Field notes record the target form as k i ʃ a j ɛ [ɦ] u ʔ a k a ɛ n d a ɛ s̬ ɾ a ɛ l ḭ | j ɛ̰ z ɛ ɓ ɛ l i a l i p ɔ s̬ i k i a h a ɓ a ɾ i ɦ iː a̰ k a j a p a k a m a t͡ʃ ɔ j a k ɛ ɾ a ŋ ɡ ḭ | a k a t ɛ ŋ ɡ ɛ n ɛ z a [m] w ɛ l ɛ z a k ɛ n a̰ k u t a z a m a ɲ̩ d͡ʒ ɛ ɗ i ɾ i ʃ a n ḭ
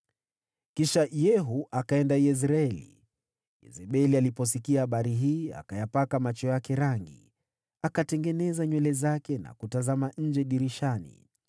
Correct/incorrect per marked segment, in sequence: correct, incorrect

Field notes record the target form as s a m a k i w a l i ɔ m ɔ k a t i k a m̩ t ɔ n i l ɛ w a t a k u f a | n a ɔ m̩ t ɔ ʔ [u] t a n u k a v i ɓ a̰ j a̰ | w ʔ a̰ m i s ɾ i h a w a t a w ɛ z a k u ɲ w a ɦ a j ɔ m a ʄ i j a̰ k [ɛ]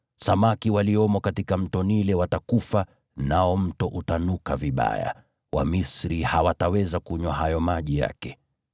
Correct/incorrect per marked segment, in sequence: correct, correct

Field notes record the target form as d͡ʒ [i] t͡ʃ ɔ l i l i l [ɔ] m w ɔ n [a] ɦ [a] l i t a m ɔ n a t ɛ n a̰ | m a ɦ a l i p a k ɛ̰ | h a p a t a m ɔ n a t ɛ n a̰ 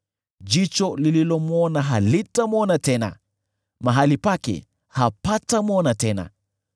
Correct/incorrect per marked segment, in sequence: correct, correct, correct, correct

